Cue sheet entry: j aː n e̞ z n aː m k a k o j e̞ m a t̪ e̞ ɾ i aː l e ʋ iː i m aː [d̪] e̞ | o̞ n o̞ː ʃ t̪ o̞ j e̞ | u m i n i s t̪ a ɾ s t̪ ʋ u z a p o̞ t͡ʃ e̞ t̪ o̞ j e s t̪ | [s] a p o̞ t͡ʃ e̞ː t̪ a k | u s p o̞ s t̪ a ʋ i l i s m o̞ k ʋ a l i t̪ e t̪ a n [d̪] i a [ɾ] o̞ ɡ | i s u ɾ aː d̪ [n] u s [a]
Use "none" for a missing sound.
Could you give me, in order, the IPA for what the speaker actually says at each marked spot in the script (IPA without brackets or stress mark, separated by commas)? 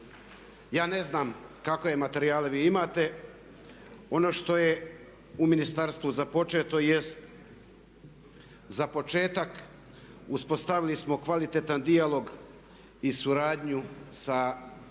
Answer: t̪, z, d̪, l, ɲ, a